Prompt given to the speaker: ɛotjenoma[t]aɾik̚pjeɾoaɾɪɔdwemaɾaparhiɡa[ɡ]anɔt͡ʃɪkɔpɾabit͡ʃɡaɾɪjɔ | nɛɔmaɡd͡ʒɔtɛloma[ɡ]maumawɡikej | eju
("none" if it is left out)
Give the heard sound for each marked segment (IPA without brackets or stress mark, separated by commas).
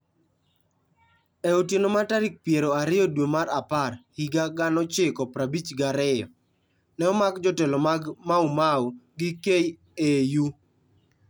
t, ɡ, ɡ